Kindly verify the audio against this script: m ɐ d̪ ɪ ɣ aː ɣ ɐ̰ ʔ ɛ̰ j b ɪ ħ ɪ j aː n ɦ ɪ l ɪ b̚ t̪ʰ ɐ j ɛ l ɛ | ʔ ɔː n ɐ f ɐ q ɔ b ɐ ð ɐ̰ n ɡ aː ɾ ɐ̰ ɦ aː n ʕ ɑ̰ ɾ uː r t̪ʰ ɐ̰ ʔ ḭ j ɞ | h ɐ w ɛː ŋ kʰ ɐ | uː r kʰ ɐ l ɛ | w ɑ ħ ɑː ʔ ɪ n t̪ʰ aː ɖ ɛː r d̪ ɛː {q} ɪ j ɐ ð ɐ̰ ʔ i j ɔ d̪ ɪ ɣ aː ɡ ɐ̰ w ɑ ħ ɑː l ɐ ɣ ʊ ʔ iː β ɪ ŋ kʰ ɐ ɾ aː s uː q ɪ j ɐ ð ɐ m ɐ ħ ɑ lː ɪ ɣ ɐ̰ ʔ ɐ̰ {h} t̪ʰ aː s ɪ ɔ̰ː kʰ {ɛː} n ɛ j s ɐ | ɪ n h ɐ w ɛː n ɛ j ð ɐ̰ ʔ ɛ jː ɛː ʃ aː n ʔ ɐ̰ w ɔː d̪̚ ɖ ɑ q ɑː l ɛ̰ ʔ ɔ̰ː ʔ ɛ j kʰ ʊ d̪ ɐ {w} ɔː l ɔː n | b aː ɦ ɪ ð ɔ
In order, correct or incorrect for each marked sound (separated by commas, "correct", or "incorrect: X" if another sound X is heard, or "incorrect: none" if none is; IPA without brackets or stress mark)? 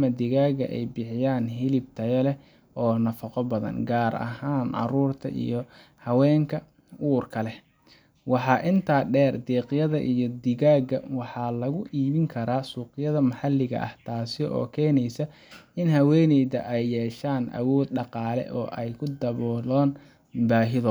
correct, correct, correct, incorrect: β